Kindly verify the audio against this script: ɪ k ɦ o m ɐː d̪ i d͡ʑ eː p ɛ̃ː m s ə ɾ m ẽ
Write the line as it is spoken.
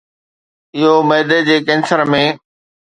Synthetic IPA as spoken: ɪ ɦ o m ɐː d̪ e d͡ʑ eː k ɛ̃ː n s ə ɾ m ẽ